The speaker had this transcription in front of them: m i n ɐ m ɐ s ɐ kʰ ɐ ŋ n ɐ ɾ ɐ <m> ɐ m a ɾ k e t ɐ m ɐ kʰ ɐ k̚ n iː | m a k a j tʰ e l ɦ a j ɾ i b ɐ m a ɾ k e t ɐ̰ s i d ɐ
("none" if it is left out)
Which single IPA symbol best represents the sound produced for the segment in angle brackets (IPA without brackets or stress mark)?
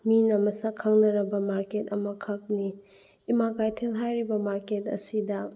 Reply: b